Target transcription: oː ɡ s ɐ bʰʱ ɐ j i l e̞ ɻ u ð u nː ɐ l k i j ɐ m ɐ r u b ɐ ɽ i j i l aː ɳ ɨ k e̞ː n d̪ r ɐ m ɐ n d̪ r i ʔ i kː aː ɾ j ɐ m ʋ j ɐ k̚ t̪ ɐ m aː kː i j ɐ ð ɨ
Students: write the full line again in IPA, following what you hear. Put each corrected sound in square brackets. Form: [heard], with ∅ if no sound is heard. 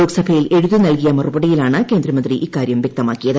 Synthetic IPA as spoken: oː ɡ s ɐ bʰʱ ɐ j i l e̞ ɻ u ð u [n] ɐ l k i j ɐ m ɐ r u b ɐ ɽ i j i l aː ɳ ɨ k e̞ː n d̪ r ɐ m ɐ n d̪ r i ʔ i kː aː ɾ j ɐ m ʋ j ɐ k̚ t̪ ɐ m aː kː i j ɐ ð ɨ